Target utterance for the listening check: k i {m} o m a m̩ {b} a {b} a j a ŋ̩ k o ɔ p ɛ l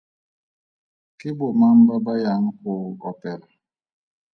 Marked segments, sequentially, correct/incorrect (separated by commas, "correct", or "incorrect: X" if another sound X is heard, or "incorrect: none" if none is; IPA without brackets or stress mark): incorrect: b, correct, correct